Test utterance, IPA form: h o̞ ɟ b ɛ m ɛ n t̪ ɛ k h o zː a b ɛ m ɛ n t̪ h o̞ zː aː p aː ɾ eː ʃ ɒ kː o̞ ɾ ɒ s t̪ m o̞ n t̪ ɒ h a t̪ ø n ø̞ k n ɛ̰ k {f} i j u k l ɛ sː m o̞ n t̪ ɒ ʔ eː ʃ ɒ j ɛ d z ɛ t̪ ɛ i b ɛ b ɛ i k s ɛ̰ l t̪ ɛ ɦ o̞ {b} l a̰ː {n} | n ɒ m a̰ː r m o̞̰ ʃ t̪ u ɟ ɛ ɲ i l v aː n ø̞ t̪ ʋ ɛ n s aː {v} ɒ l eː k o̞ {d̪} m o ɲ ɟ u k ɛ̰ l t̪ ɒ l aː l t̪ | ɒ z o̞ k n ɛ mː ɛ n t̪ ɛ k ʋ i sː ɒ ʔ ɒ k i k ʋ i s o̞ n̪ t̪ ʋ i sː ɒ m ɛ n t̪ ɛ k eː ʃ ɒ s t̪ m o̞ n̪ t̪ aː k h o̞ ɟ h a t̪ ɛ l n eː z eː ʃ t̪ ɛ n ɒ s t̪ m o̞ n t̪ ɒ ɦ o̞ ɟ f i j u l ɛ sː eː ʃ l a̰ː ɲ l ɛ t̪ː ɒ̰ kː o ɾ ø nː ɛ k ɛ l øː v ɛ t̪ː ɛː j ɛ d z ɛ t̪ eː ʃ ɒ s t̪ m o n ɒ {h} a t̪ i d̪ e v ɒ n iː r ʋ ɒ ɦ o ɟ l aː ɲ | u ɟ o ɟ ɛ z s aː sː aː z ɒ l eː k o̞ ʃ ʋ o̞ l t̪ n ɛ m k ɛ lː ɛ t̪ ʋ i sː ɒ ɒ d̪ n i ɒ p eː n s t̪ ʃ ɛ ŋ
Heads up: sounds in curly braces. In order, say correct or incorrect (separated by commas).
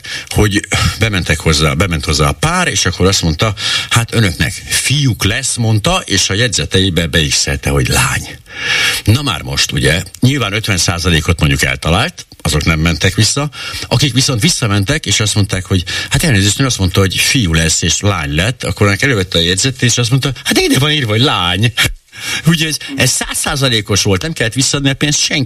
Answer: correct, incorrect, incorrect, incorrect, incorrect, correct